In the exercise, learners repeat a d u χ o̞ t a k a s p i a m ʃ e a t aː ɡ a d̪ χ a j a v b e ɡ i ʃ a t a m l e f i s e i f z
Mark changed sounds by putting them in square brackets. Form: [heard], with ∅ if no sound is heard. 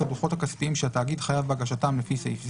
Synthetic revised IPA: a d u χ o̞ t a k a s p i [i] m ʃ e a t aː ɡ [i] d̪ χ a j a v b [a] ɡ [a] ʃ a t a m l e f i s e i f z